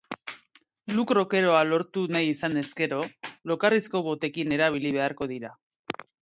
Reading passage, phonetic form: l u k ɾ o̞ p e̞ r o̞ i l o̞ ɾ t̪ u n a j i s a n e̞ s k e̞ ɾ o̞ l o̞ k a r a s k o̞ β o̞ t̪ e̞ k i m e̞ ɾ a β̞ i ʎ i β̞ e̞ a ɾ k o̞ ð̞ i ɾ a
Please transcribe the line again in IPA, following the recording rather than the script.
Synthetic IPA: l u k ɾ o̞ k e̞ ɾ o̞ a l o̞ ɾ t̪ u n a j i s a n e̞ s k e̞ ɾ o̞ l o̞ k a r i s k o̞ β o̞ t̪ e̞ k i n e̞ ɾ a β̞ i l i β̞ e̞ a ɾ k o̞ ð̞ i ɾ a